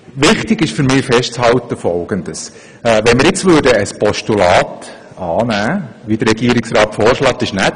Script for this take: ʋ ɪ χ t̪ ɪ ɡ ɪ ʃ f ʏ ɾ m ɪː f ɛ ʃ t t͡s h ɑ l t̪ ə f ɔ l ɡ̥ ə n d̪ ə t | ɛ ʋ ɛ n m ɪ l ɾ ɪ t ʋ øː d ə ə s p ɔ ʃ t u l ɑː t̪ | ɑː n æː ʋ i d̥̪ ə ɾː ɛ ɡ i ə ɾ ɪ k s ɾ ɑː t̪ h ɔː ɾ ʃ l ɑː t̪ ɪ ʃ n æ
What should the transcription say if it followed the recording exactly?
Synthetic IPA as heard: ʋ ɪ χ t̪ ɪ ɡ ɪ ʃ f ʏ ɾ m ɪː f ɛ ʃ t t͡s h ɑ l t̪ ə f ɔ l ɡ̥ ə n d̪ ə s | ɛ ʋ ɛ n m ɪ ɾ ɪ t͡s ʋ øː d ə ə s p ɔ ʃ t u l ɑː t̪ | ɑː n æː ʋ i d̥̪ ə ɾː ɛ ɡ i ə ɾ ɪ k s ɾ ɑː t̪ f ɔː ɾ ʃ l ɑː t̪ ɪ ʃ n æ